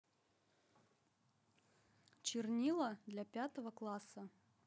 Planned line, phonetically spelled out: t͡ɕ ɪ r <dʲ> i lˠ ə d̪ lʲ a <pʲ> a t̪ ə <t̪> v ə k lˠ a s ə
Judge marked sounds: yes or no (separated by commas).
no, yes, no